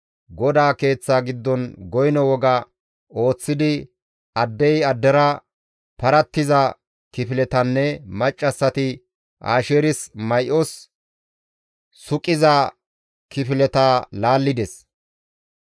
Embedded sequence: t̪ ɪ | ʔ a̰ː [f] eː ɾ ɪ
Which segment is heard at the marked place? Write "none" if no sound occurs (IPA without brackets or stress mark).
ʃ